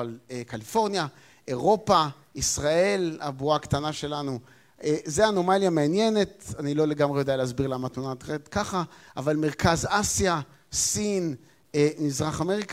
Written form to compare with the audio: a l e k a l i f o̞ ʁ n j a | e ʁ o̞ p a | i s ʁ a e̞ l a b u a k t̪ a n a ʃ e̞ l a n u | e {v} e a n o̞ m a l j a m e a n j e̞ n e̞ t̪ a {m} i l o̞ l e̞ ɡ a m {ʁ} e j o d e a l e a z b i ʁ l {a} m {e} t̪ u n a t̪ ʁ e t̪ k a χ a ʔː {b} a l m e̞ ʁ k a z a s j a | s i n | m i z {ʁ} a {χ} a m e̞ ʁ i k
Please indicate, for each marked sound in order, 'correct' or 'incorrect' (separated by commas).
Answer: incorrect, incorrect, correct, correct, incorrect, incorrect, correct, correct